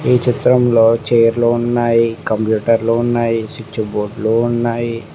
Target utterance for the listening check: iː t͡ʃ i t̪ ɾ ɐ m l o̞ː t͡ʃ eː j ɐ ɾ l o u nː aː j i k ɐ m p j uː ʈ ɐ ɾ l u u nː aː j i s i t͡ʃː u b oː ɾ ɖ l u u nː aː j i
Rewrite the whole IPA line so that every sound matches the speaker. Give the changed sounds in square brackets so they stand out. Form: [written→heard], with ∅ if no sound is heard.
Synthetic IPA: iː t͡ʃ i t̪ ɾ ɐ m l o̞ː t͡ʃ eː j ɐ ɾ l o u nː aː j i k ɐ m p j uː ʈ ɐ ɾ l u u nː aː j i s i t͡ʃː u b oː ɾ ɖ l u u nː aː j i